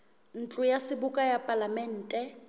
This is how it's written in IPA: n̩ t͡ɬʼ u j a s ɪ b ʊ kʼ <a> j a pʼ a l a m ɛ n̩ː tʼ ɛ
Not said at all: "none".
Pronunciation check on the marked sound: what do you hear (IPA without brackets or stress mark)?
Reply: a